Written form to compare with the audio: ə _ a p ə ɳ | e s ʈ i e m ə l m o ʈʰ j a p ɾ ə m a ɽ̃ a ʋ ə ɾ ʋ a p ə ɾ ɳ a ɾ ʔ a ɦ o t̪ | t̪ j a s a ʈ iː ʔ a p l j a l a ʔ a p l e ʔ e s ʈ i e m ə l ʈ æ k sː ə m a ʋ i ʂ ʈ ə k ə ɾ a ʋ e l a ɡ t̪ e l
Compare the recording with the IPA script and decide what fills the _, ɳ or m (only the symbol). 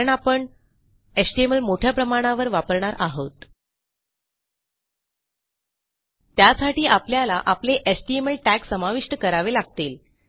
ɳ